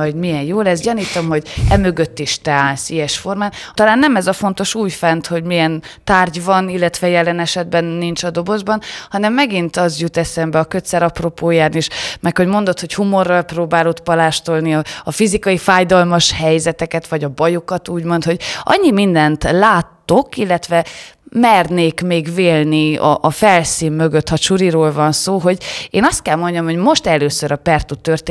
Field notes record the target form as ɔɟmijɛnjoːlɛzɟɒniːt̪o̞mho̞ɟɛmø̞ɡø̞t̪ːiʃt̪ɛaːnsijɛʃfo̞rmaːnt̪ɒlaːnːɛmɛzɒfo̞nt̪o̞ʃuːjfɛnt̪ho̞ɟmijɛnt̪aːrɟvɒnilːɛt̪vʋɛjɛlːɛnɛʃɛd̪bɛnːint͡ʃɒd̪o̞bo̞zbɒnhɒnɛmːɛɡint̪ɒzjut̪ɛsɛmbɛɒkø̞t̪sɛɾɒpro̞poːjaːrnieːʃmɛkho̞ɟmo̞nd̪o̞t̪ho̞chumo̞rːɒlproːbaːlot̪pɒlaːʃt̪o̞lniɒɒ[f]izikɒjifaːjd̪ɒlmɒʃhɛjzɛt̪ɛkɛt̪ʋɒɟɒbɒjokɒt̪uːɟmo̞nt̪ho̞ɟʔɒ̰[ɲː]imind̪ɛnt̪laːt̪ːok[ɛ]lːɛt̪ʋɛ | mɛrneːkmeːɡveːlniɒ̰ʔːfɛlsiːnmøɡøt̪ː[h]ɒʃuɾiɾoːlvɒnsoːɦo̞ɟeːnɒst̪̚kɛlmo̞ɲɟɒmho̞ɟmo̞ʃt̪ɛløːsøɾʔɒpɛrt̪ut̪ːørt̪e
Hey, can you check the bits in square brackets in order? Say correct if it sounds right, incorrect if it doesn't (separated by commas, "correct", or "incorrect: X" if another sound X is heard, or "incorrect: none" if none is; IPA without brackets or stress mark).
correct, correct, incorrect: i, correct